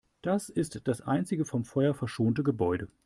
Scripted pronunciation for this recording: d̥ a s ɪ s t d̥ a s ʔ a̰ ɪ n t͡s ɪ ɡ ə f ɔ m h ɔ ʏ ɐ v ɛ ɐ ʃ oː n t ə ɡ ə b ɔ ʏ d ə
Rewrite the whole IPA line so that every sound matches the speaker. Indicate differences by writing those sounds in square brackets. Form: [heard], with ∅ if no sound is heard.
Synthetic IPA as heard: d̥ a s ɪ s t d̥ a s ʔ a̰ ɪ n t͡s ɪ ɡ ə f ɔ m [f] ɔ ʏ ɐ [f] ɛ ɐ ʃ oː n t ə ɡ ə b ɔ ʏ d ə